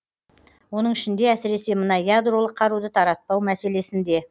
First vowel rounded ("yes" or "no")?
yes